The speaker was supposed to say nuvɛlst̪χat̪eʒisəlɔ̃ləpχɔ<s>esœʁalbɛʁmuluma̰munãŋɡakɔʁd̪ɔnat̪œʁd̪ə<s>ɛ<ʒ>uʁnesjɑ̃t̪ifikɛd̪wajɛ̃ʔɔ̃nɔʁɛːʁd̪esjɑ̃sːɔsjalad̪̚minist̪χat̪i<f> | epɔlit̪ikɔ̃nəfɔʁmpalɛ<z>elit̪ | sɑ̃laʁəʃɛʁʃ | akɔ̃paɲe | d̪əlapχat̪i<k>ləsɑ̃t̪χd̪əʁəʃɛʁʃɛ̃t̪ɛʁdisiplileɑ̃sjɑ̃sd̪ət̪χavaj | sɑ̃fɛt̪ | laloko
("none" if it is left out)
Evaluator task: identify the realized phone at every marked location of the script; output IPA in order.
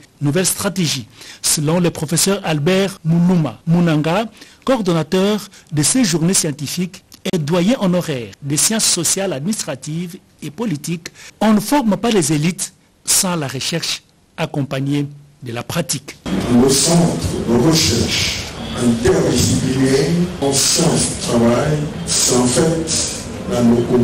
f, s, ʒ, v, z, k

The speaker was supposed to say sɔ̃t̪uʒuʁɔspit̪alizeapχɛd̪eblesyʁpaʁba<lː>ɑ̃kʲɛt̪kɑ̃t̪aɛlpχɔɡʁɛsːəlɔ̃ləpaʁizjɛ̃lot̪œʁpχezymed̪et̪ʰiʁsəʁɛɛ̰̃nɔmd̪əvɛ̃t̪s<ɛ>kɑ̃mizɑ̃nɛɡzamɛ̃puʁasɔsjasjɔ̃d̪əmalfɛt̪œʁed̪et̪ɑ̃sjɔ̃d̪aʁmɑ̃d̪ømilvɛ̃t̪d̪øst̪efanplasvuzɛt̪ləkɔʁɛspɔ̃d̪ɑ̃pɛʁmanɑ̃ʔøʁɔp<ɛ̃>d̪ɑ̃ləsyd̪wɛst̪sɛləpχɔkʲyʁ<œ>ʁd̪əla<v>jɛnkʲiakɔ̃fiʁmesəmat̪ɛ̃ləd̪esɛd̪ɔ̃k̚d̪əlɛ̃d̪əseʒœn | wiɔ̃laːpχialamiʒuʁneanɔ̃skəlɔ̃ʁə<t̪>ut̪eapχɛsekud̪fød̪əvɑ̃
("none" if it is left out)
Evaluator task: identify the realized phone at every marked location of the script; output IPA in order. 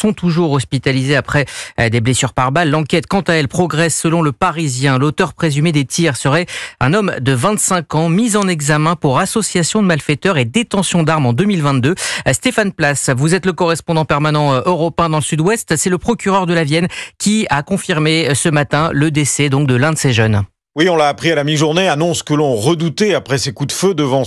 lː, ɛ̃, ɛ̃, œ, v, d̪

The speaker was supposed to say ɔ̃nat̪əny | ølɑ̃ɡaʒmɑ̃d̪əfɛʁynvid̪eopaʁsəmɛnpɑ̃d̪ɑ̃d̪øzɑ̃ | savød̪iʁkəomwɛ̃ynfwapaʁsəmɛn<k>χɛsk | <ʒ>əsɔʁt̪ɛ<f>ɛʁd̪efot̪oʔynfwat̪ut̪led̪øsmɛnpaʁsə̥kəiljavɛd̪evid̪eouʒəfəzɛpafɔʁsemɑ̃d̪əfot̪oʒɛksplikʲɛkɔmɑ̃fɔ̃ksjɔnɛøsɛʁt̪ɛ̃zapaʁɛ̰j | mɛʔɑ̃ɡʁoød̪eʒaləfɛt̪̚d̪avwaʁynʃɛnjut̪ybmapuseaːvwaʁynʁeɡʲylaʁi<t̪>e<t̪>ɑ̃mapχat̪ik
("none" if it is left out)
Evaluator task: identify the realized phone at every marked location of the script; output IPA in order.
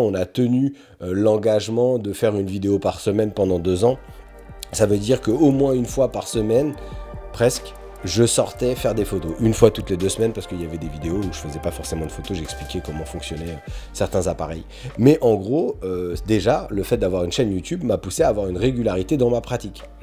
p, ʒ, f, t̪, d̪

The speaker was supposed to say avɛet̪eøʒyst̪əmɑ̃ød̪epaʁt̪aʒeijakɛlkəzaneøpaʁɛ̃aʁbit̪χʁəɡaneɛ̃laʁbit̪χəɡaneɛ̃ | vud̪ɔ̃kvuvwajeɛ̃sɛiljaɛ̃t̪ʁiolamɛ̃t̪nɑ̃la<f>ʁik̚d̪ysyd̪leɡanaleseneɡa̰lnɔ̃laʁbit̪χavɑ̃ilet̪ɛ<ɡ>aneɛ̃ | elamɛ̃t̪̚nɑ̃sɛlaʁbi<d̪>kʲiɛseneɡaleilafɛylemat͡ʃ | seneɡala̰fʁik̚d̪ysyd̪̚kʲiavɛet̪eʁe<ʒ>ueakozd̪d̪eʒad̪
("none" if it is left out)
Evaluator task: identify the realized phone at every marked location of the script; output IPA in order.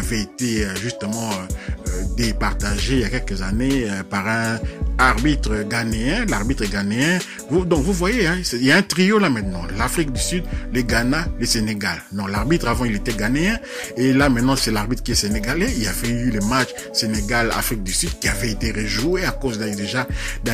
f, ɡ, t̪, ʒ

